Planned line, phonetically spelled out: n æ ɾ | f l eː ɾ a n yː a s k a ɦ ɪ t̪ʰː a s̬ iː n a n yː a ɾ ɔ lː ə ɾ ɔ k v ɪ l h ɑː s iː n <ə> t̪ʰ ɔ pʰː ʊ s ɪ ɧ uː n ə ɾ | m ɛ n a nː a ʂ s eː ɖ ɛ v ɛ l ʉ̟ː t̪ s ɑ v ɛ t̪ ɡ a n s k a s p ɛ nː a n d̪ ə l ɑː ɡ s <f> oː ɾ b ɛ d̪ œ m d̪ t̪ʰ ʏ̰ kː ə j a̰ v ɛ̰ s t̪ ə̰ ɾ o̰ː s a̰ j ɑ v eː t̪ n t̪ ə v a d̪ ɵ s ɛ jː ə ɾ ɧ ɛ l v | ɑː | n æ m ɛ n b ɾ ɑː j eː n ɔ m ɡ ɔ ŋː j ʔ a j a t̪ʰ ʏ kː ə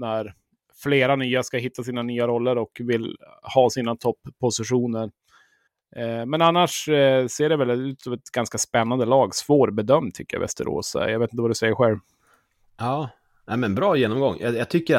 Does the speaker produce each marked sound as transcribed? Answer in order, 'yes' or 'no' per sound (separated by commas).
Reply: no, no